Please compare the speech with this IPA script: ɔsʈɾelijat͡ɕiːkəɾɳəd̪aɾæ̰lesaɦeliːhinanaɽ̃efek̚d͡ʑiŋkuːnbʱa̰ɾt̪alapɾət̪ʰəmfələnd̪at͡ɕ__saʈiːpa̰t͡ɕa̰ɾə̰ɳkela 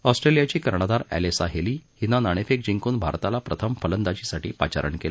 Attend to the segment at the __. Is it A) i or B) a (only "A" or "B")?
A